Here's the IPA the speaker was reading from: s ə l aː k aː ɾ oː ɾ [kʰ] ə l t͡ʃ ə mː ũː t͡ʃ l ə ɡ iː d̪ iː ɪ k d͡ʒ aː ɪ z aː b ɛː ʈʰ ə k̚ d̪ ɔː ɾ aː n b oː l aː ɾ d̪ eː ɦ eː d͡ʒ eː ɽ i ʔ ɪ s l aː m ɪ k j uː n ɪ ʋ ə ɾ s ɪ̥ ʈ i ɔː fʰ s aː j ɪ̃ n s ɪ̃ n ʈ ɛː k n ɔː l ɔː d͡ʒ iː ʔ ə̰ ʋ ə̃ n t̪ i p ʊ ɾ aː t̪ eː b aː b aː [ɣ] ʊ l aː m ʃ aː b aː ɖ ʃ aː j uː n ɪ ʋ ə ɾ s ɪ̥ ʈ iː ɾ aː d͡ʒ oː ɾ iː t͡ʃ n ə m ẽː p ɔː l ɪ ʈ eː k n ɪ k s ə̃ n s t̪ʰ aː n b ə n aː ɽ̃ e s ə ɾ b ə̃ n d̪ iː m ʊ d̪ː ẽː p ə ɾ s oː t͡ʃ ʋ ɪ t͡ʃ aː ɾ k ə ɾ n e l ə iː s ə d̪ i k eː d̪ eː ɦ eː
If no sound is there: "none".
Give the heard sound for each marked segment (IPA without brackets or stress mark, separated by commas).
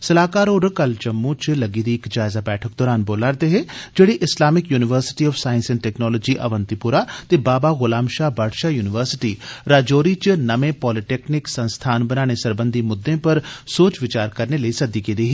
k, ɣ